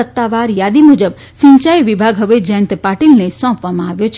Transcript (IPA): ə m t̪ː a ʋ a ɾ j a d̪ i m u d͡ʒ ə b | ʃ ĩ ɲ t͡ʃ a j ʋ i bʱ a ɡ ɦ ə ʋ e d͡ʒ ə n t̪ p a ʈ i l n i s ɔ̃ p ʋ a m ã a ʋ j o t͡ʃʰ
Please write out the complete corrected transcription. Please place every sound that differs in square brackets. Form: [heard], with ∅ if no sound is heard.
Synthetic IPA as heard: ə [∅] t̪ː a ʋ a ɾ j a d̪ i m u d͡ʒ ə b | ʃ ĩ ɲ t͡ʃ a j ʋ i bʱ a ɡ ɦ ə ʋ e d͡ʒ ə n t̪ p a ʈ i l n [e] s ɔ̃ p ʋ a m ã a ʋ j o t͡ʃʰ